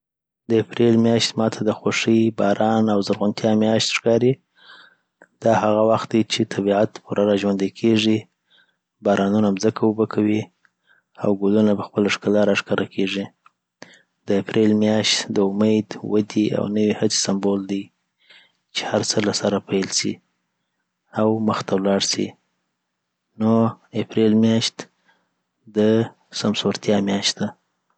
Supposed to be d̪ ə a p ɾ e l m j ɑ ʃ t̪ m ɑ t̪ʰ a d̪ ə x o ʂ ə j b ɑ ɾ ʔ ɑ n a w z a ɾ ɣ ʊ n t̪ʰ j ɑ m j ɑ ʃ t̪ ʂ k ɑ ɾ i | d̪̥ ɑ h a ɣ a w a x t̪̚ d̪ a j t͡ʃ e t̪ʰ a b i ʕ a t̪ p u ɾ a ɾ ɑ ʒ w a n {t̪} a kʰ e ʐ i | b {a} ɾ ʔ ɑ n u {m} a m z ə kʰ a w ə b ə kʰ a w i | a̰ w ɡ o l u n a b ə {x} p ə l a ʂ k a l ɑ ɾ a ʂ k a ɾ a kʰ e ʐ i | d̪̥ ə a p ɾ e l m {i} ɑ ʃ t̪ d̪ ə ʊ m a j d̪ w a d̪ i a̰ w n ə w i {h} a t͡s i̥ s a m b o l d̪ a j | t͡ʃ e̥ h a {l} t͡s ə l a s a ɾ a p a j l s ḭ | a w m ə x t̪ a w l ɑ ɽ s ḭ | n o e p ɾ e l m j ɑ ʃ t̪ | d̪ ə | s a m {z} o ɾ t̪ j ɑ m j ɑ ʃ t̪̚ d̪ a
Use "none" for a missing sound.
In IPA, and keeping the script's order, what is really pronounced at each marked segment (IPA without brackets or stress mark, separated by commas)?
d̪, ɑ, n, x, j, h, ɾ, s